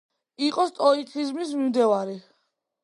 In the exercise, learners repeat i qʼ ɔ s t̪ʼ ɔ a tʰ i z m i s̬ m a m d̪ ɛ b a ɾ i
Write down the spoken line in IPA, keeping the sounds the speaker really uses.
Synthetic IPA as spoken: i qʼ ɔ s t̪ʼ ɔ i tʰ i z m i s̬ m i m d̪ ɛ v a ɾ i